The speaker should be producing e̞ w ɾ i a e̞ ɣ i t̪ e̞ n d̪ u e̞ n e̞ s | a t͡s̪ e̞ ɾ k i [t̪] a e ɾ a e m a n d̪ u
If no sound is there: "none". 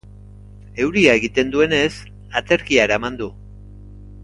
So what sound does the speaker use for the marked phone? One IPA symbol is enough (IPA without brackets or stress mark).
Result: none